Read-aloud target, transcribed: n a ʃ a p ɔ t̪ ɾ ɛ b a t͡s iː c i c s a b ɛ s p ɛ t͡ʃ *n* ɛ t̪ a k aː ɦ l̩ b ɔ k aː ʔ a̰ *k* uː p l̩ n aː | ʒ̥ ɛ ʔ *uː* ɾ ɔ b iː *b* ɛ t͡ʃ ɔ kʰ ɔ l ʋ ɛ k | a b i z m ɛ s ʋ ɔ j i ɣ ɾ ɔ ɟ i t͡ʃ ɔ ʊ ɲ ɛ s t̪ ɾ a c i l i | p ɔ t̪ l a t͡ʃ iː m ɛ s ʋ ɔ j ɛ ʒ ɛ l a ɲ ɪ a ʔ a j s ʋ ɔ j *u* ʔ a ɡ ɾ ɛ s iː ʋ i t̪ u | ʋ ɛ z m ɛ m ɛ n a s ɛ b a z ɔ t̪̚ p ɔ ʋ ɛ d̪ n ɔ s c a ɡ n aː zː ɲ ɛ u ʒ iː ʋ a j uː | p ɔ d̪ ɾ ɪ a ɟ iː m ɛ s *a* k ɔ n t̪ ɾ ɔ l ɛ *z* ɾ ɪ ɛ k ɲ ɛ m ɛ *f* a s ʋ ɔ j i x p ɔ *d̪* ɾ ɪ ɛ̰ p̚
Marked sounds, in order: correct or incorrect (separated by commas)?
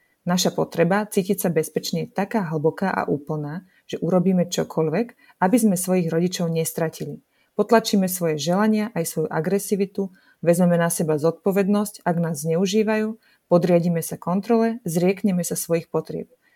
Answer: incorrect, incorrect, incorrect, incorrect, correct, correct, correct, incorrect, incorrect